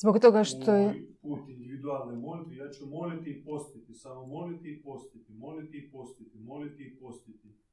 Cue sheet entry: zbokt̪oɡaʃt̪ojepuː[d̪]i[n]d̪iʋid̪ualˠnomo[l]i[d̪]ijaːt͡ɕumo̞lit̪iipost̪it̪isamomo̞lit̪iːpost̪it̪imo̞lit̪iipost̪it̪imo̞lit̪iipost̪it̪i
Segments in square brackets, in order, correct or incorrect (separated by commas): incorrect, correct, correct, incorrect